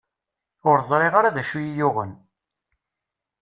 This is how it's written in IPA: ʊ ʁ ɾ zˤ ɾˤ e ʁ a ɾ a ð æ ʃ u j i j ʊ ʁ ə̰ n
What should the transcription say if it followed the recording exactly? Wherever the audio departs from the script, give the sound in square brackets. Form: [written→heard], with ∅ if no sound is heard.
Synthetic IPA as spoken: ʊ [ʁ→∅] ɾ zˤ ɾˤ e ʁ a ɾ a ð æ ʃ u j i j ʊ ʁ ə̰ n